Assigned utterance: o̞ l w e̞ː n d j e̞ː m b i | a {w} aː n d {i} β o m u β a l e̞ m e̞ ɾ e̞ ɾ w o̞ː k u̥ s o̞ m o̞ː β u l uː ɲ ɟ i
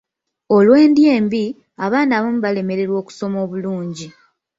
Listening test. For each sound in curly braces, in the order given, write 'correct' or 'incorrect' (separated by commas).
incorrect, incorrect